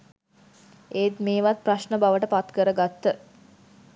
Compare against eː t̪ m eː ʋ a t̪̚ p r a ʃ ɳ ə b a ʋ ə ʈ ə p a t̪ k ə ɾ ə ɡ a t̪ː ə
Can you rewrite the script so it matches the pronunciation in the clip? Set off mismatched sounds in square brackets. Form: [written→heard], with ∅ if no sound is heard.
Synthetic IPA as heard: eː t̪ m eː ʋ a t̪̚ p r a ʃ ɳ ə b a ʋ ə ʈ ə p a t̪ k ə ɾ ə ɡ a t̪ː ə

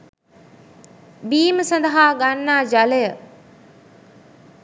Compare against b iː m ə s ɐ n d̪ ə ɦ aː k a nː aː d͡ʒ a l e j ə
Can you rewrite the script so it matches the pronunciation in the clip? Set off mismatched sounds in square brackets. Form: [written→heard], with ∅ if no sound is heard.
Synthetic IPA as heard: b iː m ə s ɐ n d̪ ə ɦ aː [k→ɡ] a nː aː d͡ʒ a l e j ə

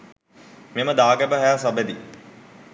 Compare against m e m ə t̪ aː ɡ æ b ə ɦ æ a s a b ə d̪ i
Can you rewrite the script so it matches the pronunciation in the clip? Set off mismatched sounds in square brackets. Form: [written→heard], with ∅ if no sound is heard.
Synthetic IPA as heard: m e m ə [t̪→d̪] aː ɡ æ b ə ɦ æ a s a b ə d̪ i

